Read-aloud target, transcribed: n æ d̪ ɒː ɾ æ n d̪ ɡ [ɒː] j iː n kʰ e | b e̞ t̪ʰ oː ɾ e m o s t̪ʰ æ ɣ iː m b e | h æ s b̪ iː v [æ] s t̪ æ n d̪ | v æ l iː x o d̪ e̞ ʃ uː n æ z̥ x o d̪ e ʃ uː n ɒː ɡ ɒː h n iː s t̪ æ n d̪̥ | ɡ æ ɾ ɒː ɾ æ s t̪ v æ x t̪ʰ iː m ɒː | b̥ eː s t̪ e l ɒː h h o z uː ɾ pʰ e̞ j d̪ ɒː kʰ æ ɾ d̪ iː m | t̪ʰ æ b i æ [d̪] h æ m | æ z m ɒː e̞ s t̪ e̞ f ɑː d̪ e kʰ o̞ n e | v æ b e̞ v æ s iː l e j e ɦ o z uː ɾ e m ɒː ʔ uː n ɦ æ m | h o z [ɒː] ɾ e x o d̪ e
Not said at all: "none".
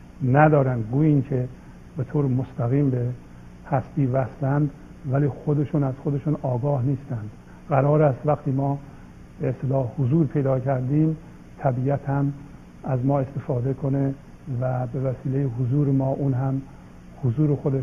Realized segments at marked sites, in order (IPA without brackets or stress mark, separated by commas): uː, æ, t̪, uː